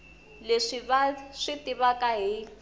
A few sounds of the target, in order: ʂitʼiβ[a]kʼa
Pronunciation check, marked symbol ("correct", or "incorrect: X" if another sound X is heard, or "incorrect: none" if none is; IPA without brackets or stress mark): correct